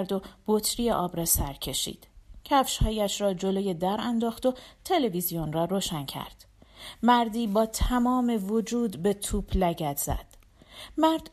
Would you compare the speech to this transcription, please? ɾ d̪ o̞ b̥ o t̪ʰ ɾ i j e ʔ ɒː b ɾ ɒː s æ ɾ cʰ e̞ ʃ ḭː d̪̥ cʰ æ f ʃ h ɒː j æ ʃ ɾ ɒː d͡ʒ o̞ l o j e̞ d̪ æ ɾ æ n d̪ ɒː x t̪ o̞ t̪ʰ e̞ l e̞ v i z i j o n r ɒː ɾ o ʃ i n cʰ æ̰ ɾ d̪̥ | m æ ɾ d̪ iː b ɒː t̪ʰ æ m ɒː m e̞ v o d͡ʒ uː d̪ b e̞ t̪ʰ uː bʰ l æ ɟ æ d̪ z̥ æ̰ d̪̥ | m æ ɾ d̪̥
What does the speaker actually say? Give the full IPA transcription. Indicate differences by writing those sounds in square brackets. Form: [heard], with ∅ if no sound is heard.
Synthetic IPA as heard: ɾ d̪ o̞ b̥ o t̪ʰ ɾ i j e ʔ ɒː b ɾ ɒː s æ ɾ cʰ e̞ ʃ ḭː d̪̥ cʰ æ f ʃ h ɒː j æ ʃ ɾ ɒː d͡ʒ o̞ l o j e̞ d̪ æ ɾ æ n d̪ ɒː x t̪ o̞ t̪ʰ e̞ l e̞ v i z i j o n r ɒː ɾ o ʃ [æ] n cʰ æ̰ ɾ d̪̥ | m æ ɾ d̪ iː b ɒː t̪ʰ æ m ɒː m e̞ v o d͡ʒ uː d̪ b e̞ t̪ʰ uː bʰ l æ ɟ æ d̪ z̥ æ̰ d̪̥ | m æ ɾ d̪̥